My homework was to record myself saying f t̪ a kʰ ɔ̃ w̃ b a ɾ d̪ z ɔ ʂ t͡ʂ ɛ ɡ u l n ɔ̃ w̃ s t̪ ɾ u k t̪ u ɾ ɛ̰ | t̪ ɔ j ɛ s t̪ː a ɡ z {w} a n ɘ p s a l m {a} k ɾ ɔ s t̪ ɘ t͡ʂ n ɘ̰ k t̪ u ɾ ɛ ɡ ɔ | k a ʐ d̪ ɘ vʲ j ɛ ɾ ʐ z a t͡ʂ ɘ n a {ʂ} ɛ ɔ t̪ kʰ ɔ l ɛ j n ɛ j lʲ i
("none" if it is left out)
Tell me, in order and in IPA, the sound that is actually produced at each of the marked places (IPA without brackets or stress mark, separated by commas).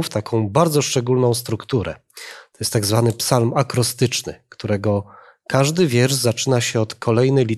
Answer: v, a, ɕ